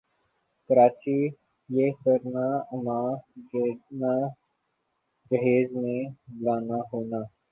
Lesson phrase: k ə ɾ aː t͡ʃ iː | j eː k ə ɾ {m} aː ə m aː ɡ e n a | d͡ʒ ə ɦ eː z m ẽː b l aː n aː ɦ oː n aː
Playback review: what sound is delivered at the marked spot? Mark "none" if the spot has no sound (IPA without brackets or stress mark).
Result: n